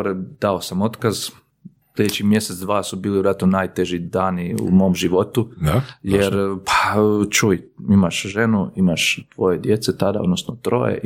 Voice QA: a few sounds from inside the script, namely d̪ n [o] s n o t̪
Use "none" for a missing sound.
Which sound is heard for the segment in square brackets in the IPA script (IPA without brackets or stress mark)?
o